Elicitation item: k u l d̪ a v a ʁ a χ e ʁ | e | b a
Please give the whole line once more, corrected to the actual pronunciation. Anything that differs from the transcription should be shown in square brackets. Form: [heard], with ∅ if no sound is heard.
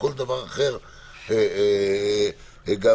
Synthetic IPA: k [o] l d̪ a v a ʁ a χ e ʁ | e | [ɡ] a